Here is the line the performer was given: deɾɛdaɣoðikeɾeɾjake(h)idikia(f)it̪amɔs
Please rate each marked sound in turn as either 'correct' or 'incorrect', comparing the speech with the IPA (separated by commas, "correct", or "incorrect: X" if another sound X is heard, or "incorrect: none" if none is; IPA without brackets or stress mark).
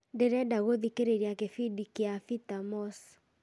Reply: incorrect: f, correct